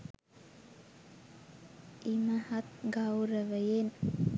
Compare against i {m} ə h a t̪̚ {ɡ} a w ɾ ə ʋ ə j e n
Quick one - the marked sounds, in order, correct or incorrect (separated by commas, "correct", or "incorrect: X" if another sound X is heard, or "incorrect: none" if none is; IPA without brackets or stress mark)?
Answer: correct, correct